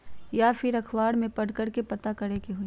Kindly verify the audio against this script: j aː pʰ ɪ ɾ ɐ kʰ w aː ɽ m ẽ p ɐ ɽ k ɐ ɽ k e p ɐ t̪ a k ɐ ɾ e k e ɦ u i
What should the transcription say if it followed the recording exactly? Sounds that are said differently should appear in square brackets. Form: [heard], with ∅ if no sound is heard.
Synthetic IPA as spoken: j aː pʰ ɪ ɾ ɐ kʰ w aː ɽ m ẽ p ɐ ɽ k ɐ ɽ k e p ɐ t̪ a k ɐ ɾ e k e ɦ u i